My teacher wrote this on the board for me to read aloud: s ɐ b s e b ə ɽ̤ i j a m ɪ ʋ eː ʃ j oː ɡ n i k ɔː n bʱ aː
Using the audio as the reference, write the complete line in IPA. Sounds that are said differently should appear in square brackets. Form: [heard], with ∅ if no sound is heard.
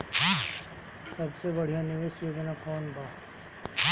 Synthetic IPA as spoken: s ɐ b s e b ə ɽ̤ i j a [n] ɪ ʋ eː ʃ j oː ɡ n [a] k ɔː n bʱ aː